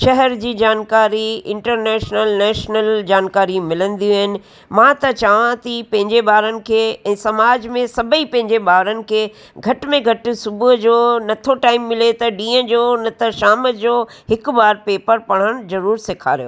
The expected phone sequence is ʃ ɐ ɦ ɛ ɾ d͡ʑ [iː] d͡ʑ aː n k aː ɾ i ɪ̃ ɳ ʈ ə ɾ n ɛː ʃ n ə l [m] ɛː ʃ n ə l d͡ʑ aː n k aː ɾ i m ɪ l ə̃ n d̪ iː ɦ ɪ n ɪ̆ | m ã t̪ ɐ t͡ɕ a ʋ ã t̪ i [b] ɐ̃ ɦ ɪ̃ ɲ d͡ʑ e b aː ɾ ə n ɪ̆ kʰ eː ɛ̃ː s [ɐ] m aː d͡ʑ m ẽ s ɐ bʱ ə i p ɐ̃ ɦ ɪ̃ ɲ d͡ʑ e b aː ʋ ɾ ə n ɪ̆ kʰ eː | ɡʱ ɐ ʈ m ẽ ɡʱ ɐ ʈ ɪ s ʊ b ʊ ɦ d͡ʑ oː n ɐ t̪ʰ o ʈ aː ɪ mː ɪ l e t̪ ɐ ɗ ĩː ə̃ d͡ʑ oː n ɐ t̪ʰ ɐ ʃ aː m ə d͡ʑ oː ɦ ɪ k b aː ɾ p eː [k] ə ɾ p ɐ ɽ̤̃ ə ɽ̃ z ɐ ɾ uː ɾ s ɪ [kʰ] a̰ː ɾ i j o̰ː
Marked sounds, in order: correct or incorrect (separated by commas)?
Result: correct, incorrect, incorrect, correct, incorrect, correct